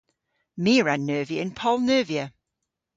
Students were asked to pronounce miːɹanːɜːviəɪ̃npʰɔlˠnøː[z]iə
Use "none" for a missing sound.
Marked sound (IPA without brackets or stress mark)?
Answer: v